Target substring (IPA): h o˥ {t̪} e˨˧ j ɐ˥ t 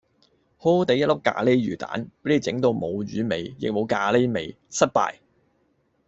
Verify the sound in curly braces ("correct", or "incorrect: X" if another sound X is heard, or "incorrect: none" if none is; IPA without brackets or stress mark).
correct